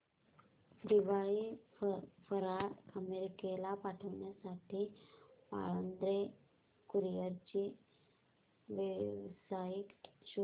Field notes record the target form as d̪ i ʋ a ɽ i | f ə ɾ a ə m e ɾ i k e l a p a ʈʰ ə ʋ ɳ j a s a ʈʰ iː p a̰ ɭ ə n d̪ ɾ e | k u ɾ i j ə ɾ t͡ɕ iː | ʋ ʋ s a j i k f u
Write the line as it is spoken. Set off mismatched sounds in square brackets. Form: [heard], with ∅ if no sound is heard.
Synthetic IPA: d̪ i ʋ a [ɭ] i | f ə ɾ a ə m e ɾ i k e l a p a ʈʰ ə ʋ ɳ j a s a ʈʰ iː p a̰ ɭ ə n d̪ ɾ e | k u ɾ i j ə ɾ t͡ɕ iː | ʋ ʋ s a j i k [ɕ] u